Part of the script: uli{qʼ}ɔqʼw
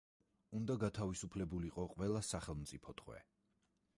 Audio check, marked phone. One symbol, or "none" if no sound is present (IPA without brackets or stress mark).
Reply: qʼ